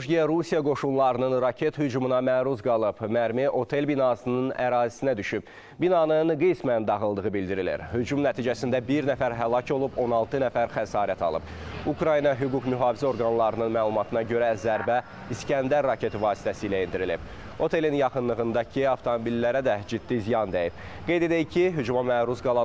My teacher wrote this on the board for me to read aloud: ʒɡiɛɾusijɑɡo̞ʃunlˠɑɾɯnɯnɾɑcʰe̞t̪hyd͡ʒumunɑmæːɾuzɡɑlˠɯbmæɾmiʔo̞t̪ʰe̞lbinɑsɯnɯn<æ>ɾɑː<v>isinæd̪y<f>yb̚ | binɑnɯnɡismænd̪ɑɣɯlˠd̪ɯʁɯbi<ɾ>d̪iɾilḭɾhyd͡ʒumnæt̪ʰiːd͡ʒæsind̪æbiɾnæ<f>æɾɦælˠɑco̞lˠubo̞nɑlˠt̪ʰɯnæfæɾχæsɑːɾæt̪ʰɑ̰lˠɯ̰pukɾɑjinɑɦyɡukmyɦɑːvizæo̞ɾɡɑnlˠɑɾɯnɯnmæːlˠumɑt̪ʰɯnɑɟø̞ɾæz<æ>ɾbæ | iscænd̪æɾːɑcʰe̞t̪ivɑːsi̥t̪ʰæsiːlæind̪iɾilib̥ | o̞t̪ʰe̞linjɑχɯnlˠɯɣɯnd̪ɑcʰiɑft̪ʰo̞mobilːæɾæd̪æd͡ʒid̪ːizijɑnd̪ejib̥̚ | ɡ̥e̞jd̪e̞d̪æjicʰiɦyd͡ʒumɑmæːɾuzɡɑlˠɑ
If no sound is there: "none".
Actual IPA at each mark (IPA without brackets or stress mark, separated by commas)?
æ, z, ʃ, l, f, æ